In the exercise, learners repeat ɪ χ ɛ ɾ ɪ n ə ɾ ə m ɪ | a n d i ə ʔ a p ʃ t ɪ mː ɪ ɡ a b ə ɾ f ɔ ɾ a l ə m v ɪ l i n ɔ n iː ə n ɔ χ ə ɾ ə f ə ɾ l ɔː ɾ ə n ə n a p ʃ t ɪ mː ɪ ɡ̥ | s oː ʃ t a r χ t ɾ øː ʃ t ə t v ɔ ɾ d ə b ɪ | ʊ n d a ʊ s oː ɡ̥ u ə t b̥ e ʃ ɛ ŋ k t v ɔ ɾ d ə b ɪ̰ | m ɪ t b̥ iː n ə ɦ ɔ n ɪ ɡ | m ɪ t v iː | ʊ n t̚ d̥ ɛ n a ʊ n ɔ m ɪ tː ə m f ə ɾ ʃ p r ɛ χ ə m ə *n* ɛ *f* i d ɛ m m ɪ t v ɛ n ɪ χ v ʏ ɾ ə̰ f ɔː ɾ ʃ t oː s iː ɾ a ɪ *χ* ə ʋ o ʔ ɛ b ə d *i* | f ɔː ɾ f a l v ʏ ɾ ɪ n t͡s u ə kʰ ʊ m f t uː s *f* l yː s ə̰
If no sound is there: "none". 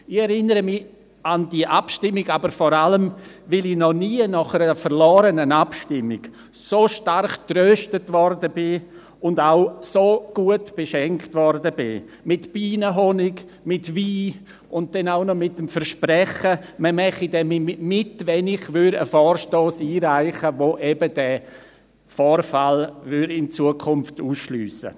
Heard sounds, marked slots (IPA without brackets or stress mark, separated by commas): m, χ, χ, ɛ, ʃ